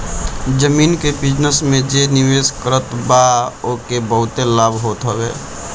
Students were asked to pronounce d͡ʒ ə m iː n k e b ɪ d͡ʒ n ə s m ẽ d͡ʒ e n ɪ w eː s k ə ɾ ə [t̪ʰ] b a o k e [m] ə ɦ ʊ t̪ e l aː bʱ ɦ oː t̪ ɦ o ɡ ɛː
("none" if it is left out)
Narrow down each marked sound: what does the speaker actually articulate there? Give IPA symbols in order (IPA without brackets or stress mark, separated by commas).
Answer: t̪, b